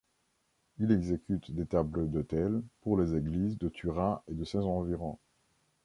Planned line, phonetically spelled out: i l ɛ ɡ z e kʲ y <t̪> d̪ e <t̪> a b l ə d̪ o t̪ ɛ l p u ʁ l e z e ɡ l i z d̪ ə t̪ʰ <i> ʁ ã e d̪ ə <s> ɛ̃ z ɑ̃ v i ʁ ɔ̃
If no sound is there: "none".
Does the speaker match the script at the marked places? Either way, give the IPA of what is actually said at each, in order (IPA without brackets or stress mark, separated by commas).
t̪, t̪, y, s